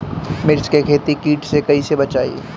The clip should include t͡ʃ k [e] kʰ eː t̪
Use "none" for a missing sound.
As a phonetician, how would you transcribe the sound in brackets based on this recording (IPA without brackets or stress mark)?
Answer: e